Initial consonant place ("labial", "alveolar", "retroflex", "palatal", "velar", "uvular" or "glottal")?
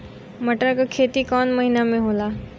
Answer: labial